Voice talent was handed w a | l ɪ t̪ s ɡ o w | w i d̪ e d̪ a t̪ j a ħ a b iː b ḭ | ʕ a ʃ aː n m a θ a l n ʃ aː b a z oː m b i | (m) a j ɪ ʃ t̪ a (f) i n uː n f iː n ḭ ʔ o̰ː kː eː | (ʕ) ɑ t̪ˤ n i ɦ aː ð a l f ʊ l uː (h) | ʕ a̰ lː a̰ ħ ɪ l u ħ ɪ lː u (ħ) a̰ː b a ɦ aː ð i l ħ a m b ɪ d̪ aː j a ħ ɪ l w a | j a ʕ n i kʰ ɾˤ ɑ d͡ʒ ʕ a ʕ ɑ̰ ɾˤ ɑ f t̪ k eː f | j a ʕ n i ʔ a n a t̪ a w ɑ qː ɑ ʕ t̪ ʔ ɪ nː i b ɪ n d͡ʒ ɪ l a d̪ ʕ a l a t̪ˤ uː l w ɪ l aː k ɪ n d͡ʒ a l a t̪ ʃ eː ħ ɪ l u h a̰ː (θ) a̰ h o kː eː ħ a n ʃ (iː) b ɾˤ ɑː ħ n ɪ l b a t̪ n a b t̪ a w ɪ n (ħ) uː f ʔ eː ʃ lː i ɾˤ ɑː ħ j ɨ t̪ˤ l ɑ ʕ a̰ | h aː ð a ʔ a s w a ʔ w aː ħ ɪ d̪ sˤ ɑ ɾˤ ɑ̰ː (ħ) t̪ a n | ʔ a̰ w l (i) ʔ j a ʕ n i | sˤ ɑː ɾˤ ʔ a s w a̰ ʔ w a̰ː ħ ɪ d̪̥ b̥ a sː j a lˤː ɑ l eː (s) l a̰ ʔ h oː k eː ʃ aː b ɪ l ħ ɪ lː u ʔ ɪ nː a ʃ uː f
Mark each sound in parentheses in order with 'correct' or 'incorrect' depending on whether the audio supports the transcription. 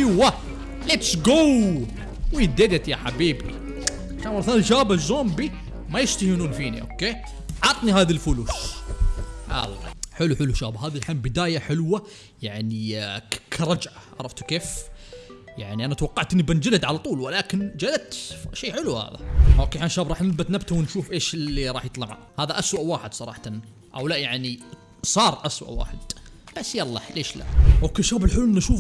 correct, incorrect: h, correct, incorrect: ʃ, incorrect: ʃ, incorrect: ð, incorrect: aː, incorrect: ʃ, correct, incorrect: a, incorrect: ʃ

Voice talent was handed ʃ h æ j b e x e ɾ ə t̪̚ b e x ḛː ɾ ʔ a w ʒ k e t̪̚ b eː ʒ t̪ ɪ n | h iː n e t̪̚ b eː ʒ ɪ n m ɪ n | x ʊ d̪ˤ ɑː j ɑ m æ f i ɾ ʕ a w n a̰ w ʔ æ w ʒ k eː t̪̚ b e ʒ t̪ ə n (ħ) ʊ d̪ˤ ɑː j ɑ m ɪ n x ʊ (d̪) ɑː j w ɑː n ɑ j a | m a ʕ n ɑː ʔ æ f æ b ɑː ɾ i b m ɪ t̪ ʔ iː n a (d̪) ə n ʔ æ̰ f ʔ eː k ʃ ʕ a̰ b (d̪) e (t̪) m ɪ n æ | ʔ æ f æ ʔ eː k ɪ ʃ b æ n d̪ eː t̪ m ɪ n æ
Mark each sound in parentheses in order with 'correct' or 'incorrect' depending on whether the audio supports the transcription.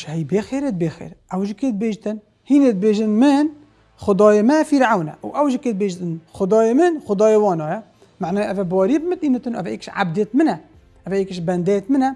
incorrect: x, correct, incorrect: t̪, correct, correct

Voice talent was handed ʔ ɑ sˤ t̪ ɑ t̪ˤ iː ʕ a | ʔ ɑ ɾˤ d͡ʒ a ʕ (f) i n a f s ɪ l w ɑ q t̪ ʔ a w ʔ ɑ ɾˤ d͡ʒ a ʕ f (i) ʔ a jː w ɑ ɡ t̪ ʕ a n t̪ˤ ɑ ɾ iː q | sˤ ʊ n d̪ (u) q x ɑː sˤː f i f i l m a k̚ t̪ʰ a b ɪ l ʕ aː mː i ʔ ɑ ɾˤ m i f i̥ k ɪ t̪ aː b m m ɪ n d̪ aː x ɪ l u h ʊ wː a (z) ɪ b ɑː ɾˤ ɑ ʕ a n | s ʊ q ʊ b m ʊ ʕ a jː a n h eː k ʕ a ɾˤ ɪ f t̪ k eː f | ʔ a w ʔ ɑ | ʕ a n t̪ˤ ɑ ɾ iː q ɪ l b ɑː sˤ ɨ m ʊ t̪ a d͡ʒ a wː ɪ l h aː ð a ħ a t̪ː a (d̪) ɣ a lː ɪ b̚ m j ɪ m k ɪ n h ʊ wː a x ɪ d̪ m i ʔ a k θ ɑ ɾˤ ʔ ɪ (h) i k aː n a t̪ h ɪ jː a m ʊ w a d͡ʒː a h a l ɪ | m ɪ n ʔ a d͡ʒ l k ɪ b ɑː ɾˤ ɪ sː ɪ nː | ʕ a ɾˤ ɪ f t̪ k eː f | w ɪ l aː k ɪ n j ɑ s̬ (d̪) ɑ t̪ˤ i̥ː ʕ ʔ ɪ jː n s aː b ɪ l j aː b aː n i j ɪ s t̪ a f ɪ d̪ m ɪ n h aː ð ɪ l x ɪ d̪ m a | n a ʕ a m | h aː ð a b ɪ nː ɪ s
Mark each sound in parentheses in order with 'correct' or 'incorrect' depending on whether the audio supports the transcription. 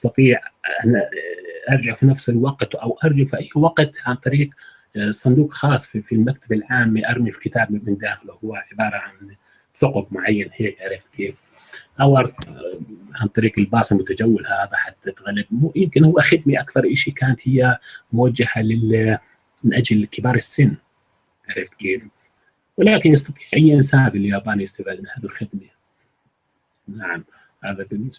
correct, correct, incorrect: uː, incorrect: ʕ, incorrect: t̪, incorrect: ʃ, incorrect: t̪

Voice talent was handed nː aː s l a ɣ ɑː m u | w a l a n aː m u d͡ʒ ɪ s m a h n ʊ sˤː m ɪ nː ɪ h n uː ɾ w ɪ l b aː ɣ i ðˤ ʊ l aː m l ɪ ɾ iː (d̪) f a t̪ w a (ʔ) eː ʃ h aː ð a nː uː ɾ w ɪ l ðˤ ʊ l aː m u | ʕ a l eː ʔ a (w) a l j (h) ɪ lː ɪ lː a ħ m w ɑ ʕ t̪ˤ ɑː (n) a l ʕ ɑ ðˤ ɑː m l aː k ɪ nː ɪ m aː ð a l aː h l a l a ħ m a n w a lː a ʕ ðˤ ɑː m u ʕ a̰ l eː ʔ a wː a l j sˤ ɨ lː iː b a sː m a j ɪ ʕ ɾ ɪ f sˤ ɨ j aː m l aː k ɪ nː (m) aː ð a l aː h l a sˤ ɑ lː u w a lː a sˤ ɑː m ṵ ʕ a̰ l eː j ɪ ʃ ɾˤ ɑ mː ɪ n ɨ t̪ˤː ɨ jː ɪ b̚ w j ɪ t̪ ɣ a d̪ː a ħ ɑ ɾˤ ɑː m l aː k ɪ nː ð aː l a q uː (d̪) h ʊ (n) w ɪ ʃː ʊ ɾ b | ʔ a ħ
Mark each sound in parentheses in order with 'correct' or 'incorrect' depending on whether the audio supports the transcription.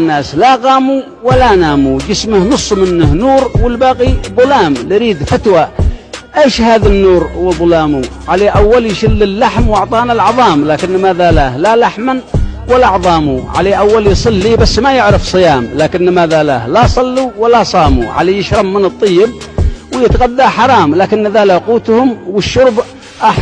correct, correct, incorrect: wː, incorrect: ʃ, correct, correct, incorrect: t̪, incorrect: m

